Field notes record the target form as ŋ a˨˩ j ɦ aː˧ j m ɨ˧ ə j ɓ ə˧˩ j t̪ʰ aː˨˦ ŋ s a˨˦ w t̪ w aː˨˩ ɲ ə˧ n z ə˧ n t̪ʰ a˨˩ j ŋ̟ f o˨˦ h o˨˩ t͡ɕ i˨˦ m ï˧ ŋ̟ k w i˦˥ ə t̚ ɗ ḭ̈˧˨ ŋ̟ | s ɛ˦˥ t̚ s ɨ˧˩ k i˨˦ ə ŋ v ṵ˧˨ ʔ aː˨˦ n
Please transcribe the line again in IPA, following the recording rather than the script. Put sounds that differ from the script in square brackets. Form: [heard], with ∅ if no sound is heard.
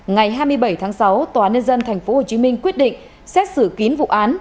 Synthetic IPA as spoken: ŋ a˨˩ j ɦ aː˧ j m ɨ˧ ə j ɓ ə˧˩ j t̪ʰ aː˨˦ ŋ s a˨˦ w t̪ w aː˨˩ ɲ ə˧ n z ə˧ n t̪ʰ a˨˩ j ŋ̟ f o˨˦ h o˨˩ t͡ɕ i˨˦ m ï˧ ŋ̟ k w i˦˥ ə t̚ ɗ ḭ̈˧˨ ŋ̟ | s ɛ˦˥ t̚ s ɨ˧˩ k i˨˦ ə [n] v ṵ˧˨ ʔ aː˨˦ n